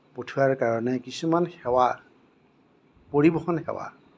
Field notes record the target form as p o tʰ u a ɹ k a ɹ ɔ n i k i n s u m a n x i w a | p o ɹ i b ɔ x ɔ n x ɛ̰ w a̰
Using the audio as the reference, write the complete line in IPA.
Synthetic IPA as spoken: p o tʰ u a ɹ k a ɹ ɔ n ɛ k i s u m a n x ɛ w a | p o ɹ i b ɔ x ɔ n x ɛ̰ w a̰

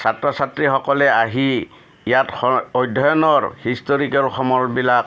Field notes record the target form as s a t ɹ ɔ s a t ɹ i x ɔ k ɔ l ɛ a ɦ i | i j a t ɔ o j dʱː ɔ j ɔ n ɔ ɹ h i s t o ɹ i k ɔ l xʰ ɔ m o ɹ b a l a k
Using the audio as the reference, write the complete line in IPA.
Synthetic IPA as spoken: s a t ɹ ɔ s a t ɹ i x ɔ k ɔ l ɛ a ɦ i | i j a t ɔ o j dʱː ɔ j ɔ n ɔ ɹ h i s t o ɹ i k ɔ l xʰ ɔ m ɔ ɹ b i l a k

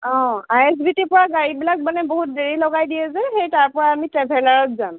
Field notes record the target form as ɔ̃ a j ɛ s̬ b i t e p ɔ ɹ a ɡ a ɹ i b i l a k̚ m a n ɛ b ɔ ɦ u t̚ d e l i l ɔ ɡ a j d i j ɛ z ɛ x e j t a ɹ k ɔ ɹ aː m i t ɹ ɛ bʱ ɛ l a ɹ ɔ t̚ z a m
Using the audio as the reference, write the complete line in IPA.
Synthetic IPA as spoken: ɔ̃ a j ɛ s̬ b i t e p ɔ ɹ a ɡ a ɹ i b i l a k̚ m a n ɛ b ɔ ɦ u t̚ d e ɹ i l ɔ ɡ a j d i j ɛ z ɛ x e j t a ɹ p ɔ ɹ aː m i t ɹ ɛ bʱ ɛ l a ɹ ɔ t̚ z a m

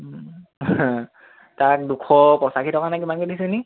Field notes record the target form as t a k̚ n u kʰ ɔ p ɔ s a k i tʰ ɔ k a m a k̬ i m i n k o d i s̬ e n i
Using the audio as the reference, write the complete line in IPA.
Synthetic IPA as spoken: t a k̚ d u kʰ ɔ p ɔ s a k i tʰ ɔ k a n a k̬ i m a n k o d i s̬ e n i

